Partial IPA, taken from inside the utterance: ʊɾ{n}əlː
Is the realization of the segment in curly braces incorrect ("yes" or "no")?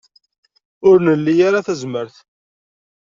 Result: no